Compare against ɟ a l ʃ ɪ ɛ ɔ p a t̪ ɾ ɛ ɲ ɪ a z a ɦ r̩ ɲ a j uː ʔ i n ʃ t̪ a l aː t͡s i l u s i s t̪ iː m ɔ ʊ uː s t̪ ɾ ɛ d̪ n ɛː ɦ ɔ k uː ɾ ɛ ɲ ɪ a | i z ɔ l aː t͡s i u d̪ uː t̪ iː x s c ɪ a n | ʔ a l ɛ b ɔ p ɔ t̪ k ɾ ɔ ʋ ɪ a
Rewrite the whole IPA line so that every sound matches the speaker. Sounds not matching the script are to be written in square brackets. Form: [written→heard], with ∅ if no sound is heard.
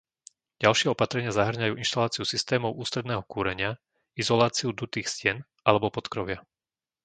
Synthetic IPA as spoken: ɟ a l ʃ ɪ ɛ ɔ p a t̪ ɾ ɛ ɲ ɪ a z a ɦ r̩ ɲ a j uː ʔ i n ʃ t̪ a l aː t͡s i [l→∅] u s i s t̪ [iː→ɛː] m ɔ ʊ uː s t̪ ɾ ɛ d̪ n ɛː ɦ ɔ k uː ɾ ɛ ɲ ɪ a | i z ɔ l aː t͡s i u d̪ [uː→u] t̪ iː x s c ɪ [a→ɛ] n | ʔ a l ɛ b ɔ p ɔ t̪ k ɾ ɔ ʋ ɪ a